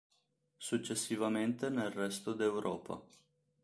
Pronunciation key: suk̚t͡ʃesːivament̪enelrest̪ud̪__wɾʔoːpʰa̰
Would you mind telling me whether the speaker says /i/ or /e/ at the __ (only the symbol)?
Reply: e